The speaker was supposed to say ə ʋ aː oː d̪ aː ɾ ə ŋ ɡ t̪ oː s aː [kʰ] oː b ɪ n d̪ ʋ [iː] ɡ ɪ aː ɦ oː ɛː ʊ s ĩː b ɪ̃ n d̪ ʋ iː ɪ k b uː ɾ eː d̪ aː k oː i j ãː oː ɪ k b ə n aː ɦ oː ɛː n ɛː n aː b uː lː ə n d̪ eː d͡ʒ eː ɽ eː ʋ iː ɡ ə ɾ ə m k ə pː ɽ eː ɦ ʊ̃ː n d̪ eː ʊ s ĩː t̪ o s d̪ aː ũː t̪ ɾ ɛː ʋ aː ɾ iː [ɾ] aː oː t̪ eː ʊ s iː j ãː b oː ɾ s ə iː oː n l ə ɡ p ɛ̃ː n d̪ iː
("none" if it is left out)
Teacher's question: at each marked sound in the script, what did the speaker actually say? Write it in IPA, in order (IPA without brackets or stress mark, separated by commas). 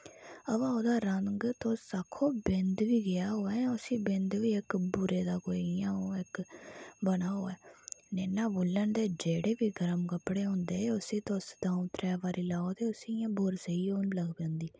kʰ, iː, l